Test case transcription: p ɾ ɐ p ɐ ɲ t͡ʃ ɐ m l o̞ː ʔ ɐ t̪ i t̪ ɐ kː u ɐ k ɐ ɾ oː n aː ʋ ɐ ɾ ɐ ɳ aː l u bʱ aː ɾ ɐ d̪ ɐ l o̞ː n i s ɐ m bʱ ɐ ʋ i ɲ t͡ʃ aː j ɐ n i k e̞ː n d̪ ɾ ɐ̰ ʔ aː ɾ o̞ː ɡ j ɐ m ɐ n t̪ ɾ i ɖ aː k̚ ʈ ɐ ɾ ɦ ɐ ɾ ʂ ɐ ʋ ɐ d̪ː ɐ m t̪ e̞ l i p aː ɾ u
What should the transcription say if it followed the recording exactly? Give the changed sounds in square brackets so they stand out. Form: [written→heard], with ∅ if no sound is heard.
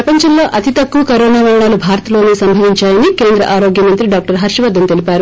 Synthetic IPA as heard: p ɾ ɐ p ɐ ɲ t͡ʃ ɐ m l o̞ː ʔ ɐ t̪ i t̪ ɐ kː u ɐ k ɐ ɾ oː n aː ʋ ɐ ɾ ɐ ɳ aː l u bʱ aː ɾ ɐ [d̪→t̪] ɐ l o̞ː n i s ɐ m bʱ ɐ ʋ i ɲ t͡ʃ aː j ɐ n i k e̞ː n d̪ ɾ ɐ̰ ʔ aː ɾ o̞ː ɡ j ɐ m ɐ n t̪ ɾ i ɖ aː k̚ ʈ ɐ ɾ ɦ ɐ ɾ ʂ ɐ ʋ ɐ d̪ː ɐ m t̪ e̞ l i p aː ɾ u